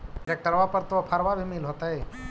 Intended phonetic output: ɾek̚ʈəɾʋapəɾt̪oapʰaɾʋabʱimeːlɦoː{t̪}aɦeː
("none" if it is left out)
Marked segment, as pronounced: t̪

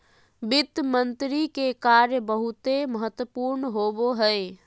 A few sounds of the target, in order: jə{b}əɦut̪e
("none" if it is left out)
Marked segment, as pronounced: b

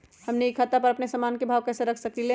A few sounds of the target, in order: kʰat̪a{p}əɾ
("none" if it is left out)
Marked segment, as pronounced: p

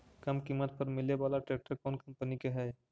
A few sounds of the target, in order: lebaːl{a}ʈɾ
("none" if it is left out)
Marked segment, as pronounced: a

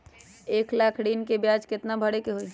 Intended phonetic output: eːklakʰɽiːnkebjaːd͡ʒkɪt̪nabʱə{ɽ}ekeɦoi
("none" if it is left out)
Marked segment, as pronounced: ɽ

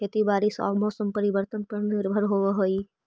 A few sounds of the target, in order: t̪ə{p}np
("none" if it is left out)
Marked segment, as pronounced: none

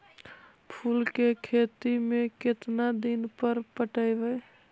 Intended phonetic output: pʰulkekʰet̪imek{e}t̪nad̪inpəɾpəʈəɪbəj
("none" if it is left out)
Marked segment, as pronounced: e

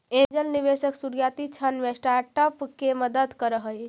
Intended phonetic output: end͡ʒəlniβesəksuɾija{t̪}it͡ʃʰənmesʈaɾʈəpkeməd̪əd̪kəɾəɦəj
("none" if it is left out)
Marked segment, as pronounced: t̪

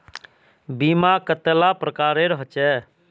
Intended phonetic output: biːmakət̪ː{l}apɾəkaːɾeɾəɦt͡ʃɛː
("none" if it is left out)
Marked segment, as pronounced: l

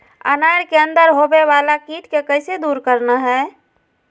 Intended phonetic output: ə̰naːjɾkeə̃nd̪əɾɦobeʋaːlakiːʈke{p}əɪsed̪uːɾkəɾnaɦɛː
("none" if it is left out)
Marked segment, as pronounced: k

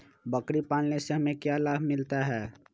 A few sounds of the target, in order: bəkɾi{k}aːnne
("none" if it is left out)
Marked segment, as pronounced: p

